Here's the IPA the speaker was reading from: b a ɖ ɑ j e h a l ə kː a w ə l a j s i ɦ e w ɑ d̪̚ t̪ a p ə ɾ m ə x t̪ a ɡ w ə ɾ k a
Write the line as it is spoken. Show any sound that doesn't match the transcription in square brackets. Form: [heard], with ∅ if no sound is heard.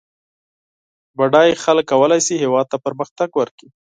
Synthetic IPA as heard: b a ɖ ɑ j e [x] a l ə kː a w ə l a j s i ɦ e w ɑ d̪̚ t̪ a p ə ɾ m ə x t̪ a ɡ w ə ɾ k [i]